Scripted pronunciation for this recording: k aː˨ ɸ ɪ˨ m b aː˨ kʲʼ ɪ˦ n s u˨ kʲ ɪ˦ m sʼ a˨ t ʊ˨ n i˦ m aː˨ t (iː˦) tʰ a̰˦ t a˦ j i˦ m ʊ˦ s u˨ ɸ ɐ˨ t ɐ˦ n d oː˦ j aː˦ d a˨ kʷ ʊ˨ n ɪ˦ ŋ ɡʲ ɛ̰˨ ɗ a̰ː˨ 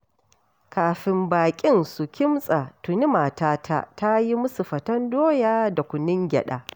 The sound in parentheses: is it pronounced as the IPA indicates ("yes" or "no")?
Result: no